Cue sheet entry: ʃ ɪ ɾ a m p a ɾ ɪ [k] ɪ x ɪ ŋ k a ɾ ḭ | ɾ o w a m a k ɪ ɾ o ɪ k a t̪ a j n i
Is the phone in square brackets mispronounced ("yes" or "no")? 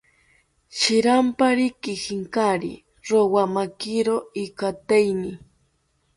no